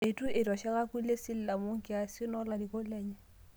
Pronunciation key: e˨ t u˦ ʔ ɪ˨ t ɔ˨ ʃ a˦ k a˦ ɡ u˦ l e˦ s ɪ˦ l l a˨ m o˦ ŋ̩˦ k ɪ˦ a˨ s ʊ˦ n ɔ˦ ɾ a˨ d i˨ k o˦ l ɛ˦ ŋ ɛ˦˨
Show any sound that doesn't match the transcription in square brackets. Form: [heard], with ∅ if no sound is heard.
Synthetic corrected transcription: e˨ t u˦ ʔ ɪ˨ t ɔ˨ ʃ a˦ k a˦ [k] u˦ l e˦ s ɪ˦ l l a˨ m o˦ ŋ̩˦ k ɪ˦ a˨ s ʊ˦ n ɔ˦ [l] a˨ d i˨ k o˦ l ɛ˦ [ɲ] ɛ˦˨